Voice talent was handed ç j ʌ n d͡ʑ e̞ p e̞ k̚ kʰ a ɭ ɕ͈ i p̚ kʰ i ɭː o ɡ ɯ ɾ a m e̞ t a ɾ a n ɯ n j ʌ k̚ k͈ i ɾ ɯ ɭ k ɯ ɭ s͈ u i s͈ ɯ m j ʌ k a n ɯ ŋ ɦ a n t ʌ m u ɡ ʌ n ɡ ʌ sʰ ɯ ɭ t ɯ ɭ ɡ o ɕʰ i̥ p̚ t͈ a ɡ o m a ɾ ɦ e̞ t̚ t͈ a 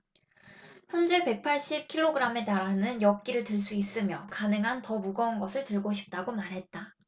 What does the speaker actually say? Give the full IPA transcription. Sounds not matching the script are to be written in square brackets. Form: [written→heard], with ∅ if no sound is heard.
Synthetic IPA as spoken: ç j ʌ n d͡ʑ e̞ p e̞ k̚ [kʰ→pʰ] a ɭ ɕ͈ i p̚ kʰ i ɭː o ɡ ɯ ɾ a m e̞ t a ɾ a n ɯ n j ʌ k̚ k͈ i ɾ ɯ ɭ [k→t] ɯ ɭ s͈ u i s͈ ɯ m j ʌ k a n ɯ ŋ ɦ a n t ʌ m u ɡ ʌ n ɡ ʌ sʰ ɯ ɭ t ɯ ɭ ɡ o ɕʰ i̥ p̚ t͈ a ɡ o m a ɾ ɦ e̞ t̚ t͈ a